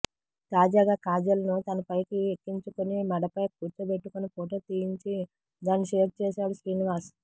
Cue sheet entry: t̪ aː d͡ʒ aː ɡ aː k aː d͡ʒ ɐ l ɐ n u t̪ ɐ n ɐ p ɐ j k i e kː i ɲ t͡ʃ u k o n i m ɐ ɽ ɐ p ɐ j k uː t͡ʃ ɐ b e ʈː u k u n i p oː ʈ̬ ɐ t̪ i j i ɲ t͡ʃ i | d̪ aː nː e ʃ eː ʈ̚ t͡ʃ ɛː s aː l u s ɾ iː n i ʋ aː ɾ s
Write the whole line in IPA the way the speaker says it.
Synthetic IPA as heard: t̪ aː d͡ʒ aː ɡ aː k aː d͡ʒ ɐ l ɐ n u t̪ ɐ n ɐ p ɐ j k i e kː i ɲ t͡ʃ u k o n i m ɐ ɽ ɐ p ɐ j k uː t͡ʃ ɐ b e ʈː u k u n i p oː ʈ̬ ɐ t̪ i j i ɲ t͡ʃ i | d̪ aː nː i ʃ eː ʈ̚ t͡ʃ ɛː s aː ɽ u s ɾ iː n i ʋ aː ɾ s